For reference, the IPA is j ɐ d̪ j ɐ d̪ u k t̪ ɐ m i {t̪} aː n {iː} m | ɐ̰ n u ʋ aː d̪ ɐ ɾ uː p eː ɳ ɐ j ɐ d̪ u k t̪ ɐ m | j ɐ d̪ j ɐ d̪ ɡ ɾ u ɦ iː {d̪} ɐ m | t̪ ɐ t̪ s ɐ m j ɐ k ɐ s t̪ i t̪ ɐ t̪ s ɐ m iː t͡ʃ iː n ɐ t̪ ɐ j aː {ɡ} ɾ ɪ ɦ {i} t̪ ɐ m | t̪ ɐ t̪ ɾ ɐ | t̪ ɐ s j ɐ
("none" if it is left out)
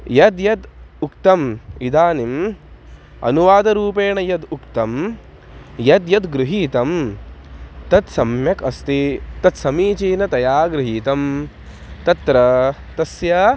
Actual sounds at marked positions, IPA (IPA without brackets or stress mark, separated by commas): d̪, i, t̪, ɡ, iː